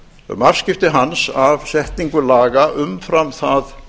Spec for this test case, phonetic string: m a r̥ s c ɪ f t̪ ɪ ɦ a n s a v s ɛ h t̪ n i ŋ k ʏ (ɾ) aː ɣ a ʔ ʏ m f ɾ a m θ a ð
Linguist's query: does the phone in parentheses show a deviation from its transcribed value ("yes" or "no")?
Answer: yes